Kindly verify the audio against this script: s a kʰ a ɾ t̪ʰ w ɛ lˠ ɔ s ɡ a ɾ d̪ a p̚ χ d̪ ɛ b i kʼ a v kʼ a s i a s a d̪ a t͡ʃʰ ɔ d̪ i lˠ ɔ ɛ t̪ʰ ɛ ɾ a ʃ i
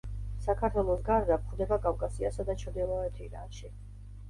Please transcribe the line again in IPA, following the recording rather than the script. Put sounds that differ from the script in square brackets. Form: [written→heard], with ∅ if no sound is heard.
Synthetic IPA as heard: s a kʰ a ɾ t̪ʰ w ɛ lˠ ɔ s ɡ a ɾ d̪ a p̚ χ d̪ ɛ b [i→a] kʼ a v kʼ a s i a s a d̪ a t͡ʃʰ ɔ d̪ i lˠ ɔ ɛ t̪ʰ [ɛ→i] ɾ a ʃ i

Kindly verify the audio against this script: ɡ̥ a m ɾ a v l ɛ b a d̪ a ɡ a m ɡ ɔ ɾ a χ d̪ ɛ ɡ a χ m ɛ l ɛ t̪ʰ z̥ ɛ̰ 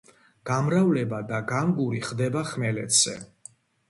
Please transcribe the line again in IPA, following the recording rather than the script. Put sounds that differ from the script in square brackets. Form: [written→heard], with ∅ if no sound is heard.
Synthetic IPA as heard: ɡ̥ a m ɾ a v l ɛ b a d̪ a ɡ a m ɡ [ɔ→u] ɾ [a→i] χ d̪ ɛ [ɡ→b] a χ m ɛ l ɛ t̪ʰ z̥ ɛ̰

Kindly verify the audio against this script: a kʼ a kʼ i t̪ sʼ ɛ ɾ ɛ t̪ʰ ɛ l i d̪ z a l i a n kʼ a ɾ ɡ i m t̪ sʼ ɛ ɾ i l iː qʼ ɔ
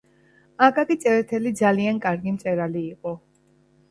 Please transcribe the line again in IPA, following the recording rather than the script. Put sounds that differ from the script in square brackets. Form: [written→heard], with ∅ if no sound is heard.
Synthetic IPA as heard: a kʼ a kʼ i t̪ sʼ ɛ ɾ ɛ t̪ʰ ɛ l i d̪ z a l i a n kʼ a ɾ ɡ i m t̪ sʼ ɛ ɾ [i→a] l iː qʼ ɔ

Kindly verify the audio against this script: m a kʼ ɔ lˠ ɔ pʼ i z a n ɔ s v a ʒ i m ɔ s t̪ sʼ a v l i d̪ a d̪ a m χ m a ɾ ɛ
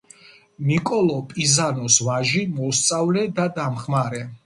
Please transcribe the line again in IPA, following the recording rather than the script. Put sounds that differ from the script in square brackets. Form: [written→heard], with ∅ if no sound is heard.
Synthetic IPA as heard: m [a→i] kʼ ɔ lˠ ɔ pʼ i z a n ɔ s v a ʒ i m ɔ s t̪ sʼ a v l [i→ɛ] d̪ a d̪ a m χ m a ɾ ɛ

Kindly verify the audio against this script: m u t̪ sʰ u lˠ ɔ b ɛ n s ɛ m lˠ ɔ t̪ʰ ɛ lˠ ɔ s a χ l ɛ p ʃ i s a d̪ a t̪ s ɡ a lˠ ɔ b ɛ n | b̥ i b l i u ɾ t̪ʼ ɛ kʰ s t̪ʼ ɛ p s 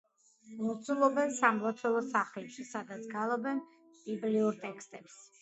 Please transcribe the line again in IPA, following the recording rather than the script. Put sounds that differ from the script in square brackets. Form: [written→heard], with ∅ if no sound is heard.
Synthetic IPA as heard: m [u→ɔ] t̪ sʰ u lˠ ɔ b ɛ n s [ɛ→a] m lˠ ɔ t̪ʰ ɛ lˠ ɔ s a χ l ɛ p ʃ i s a d̪ a t̪ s ɡ a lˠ ɔ b ɛ n | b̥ i b l i u ɾ t̪ʼ ɛ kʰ s t̪ʼ ɛ p s

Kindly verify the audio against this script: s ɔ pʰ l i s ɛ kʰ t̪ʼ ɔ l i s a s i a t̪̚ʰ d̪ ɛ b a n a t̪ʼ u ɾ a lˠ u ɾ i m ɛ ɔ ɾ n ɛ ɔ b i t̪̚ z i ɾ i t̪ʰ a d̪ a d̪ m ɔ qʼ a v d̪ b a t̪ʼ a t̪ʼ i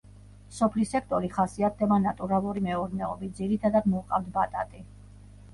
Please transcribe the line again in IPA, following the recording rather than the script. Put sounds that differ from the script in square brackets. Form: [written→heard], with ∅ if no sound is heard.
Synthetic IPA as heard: s ɔ pʰ l i s ɛ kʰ t̪ʼ ɔ [l→ɾ] i [s→χ] a s i a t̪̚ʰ d̪ ɛ b a n a t̪ʼ u ɾ a lˠ u ɾ i m ɛ ɔ ɾ n ɛ ɔ b i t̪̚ z i ɾ i t̪ʰ a d̪ a d̪ m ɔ qʼ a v d̪ b a t̪ʼ a t̪ʼ i

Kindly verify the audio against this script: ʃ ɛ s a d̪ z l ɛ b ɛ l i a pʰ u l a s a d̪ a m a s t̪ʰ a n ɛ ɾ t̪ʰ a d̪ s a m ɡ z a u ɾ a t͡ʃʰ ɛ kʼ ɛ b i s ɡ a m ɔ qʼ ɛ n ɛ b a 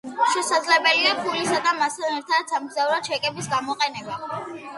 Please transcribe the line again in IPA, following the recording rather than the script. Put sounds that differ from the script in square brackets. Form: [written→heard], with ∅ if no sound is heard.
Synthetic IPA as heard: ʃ ɛ s a d̪ z l ɛ b ɛ l i a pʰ u l [a→i] s a d̪ a m a s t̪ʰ a n ɛ ɾ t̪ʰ a d̪ s a m ɡ z a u ɾ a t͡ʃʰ ɛ kʼ ɛ b i s ɡ a m ɔ qʼ ɛ n ɛ b a

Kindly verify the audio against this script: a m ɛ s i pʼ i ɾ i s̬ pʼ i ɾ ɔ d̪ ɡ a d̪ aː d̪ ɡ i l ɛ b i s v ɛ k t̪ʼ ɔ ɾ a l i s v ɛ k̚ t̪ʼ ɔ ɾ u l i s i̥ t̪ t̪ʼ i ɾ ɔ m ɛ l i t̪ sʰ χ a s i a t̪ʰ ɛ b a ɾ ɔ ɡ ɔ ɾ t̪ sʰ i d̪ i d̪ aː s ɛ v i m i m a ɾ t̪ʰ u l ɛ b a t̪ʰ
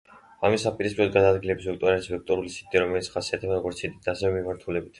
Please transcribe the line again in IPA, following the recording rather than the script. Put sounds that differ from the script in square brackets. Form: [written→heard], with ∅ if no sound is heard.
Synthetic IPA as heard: a m [ɛ→i] s [i→a] pʼ i ɾ i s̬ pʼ i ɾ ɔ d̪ ɡ a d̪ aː d̪ ɡ i l ɛ b i s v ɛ k t̪ʼ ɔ ɾ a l i s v ɛ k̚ t̪ʼ ɔ ɾ u l i s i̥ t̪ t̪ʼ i ɾ ɔ m ɛ l i t̪ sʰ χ a s i a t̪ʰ ɛ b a ɾ ɔ ɡ ɔ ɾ t̪ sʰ i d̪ i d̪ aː s ɛ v [i→ɛ] m i m a ɾ t̪ʰ u l ɛ b [a→i] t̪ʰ

